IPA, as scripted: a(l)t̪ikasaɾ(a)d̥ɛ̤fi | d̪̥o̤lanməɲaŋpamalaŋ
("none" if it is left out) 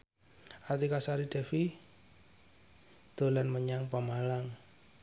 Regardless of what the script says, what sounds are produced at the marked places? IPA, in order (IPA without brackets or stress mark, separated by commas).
r, i